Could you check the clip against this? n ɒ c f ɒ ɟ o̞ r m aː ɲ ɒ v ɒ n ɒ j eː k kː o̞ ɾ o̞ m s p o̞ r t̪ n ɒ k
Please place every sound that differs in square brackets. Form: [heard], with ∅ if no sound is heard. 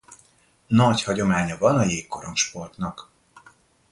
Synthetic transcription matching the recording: n ɒ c [h] ɒ ɟ o̞ [∅] m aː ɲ ɒ v ɒ n ɒ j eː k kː o̞ ɾ o̞ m [ʃ] p o̞ r t̪ n ɒ k